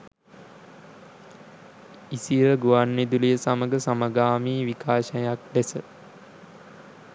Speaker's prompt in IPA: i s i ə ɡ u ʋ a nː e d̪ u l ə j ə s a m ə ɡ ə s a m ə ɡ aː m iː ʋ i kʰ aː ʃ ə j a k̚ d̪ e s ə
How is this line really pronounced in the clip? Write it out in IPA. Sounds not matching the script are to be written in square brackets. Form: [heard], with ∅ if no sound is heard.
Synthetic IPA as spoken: i s i ə ɡ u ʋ a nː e d̪ u l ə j ə s a m ə ɡ ə s a m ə ɡ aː m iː ʋ i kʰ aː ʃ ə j a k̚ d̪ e s ə